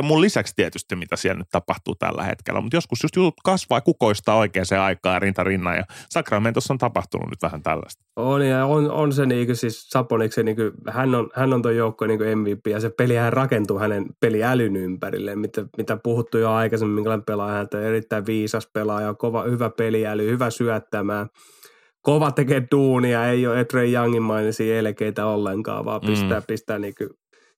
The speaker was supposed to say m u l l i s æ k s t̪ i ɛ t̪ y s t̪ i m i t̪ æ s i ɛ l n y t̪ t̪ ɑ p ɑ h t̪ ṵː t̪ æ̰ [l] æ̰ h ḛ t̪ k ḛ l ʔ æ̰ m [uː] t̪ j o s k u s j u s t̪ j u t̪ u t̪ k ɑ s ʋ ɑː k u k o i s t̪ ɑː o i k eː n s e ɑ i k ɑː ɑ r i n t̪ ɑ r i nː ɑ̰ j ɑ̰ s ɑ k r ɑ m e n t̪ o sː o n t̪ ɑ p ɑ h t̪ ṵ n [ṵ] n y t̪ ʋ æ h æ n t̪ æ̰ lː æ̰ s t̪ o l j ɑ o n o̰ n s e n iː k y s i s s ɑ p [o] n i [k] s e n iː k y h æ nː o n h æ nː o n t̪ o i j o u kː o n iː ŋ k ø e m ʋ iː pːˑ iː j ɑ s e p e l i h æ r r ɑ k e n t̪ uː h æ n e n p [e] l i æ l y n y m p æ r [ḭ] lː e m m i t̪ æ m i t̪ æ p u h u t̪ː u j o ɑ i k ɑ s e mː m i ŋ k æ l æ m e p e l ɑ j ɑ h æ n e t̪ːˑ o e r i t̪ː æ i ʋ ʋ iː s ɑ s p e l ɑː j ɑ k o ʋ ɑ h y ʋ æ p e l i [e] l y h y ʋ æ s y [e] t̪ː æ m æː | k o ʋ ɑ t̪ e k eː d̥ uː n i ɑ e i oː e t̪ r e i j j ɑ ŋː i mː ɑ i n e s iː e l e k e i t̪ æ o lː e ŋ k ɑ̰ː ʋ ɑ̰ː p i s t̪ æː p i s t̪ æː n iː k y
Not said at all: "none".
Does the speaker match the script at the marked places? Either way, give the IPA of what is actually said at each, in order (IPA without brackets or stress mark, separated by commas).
lː, u, ṵ, o, k, e, ḭ, æ, æ